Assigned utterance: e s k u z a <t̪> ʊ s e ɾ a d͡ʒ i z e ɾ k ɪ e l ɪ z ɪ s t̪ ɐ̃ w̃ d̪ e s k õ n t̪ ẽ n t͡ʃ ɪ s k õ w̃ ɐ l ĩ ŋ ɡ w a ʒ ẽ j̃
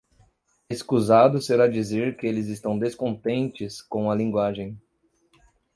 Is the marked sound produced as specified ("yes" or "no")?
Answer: no